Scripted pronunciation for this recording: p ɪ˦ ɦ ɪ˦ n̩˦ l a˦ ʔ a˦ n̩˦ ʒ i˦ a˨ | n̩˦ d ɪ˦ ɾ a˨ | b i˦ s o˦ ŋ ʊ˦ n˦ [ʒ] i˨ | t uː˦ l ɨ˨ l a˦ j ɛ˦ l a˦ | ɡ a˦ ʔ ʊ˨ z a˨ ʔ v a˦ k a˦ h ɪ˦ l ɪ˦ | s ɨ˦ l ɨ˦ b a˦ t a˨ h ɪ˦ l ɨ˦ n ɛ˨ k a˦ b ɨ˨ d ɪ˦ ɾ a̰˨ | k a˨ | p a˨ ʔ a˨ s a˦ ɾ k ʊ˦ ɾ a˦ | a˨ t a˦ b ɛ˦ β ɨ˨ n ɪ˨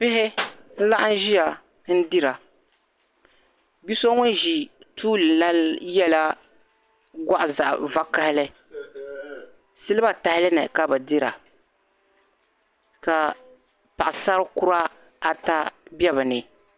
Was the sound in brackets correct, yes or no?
yes